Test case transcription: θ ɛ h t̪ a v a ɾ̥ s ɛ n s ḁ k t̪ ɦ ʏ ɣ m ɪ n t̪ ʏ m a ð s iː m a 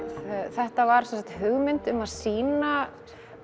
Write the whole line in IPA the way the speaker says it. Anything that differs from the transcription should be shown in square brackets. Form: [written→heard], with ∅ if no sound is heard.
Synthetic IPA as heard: θ ɛ h t̪ a v a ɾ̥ s ɛ n s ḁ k t̪ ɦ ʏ ɣ m ɪ n t̪ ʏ m a ð s iː [m→n] a